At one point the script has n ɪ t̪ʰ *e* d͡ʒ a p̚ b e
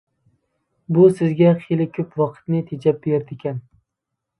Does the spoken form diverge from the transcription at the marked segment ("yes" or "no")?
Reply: no